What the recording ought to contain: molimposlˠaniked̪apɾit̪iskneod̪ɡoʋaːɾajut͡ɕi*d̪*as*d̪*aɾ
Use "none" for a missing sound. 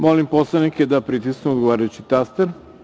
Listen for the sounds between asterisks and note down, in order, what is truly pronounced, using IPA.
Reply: t̪, t̪

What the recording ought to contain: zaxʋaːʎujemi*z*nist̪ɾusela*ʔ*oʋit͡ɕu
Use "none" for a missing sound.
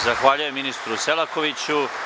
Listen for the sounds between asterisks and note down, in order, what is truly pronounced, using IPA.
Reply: none, k

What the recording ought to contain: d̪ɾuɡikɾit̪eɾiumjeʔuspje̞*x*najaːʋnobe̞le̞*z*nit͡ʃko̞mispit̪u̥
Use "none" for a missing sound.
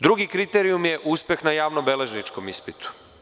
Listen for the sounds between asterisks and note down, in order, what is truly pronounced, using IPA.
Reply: x, ʒ

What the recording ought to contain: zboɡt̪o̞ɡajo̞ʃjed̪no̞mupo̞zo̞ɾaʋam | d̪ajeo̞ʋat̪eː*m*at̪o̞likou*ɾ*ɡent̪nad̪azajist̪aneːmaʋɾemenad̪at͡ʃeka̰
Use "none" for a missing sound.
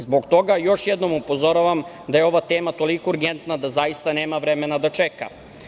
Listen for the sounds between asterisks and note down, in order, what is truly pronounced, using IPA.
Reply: m, ɾ

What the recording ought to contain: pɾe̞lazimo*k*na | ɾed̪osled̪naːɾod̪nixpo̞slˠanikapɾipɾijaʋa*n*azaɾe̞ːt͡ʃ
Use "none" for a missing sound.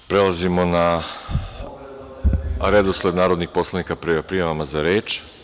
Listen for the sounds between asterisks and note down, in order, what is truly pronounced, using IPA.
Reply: none, m

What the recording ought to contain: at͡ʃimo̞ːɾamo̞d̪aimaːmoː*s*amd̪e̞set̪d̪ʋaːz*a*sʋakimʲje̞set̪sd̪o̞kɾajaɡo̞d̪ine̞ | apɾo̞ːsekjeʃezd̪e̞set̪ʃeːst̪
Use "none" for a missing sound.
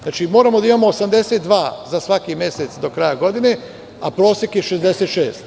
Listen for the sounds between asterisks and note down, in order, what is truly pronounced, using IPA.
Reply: s, a

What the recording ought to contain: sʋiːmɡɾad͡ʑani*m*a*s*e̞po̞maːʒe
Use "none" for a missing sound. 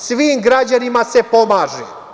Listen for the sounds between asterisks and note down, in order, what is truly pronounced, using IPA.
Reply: m, s

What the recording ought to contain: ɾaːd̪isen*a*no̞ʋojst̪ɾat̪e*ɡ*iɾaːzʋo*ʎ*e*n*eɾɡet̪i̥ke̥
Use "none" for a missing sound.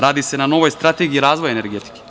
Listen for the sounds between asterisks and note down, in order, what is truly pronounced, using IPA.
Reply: a, ɡ, j, n

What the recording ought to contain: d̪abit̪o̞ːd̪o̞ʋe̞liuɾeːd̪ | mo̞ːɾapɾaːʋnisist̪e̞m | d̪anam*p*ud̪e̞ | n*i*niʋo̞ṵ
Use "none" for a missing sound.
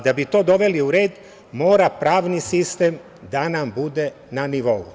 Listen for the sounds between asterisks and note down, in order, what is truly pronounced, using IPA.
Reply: b, a

